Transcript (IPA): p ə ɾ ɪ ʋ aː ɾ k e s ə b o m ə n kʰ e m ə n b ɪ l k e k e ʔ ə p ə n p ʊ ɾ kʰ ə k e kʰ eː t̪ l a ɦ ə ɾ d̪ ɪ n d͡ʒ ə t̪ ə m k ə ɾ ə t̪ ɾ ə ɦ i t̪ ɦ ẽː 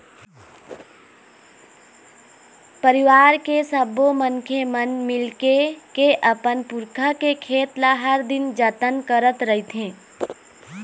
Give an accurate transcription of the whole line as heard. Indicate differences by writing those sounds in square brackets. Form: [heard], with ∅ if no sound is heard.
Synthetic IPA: p ə ɾ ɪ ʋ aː ɾ k e s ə b o m ə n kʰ e m ə n [m] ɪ l k e k e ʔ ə p ə n p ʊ ɾ kʰ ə k e kʰ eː t̪ l a ɦ ə ɾ d̪ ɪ n d͡ʒ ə t̪ ə [n] k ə ɾ ə t̪ ɾ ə ɦ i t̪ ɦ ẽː